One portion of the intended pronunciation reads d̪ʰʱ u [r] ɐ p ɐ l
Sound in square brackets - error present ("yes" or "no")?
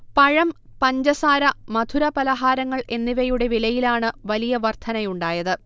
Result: yes